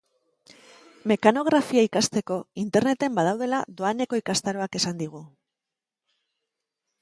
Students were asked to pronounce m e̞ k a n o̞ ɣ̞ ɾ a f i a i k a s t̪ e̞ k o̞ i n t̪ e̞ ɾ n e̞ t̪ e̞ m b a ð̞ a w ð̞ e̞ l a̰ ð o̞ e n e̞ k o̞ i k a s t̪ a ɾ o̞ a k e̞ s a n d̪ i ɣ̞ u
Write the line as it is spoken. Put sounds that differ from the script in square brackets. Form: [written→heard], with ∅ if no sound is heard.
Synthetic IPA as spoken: m e̞ k a n o̞ ɣ̞ ɾ a f i a i k a s t̪ e̞ k o̞ i n t̪ e̞ ɾ n e̞ t̪ e̞ m b a ð̞ a w ð̞ e̞ l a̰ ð o̞ [e→a] n e̞ k o̞ i k a s t̪ a ɾ o̞ a k e̞ s a n d̪ i ɣ̞ u